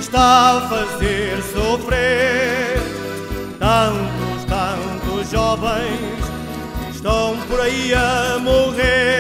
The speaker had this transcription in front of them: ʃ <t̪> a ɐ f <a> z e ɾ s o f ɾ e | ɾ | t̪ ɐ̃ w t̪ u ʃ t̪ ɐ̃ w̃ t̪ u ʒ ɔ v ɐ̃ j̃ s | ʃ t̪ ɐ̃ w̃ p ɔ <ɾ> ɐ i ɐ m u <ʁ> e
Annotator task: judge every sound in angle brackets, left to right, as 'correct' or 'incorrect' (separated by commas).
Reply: correct, incorrect, correct, correct